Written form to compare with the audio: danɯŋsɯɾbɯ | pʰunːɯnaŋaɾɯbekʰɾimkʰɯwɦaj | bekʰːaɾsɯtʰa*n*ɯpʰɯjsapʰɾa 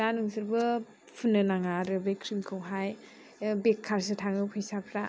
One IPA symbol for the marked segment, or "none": ŋ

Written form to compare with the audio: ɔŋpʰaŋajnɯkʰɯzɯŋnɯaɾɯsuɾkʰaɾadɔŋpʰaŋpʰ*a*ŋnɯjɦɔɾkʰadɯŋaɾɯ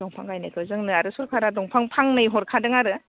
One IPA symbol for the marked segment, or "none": a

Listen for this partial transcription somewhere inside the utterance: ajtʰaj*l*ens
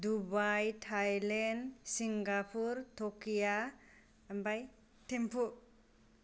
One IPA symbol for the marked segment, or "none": l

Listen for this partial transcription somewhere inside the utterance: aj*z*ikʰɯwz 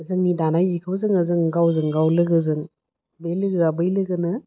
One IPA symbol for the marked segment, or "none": z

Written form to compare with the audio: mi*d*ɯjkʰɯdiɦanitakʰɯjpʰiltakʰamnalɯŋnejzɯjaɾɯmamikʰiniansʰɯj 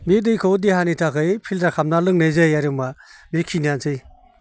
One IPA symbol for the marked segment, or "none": d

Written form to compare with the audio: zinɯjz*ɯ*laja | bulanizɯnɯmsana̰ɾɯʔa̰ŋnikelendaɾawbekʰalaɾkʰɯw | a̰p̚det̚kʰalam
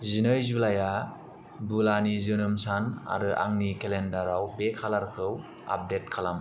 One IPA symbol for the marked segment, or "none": u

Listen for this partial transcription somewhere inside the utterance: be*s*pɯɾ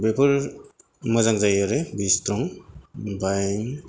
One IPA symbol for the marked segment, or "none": none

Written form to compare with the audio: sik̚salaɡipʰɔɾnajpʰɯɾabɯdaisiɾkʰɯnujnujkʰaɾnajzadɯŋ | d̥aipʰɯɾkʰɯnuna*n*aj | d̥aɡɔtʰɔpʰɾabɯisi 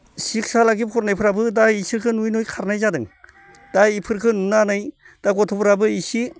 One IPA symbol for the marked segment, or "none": n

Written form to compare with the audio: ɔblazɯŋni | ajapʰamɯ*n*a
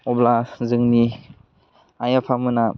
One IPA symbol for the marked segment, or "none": n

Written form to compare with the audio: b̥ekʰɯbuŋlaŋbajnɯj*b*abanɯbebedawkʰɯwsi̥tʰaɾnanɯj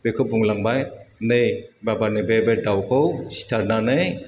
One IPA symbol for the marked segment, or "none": b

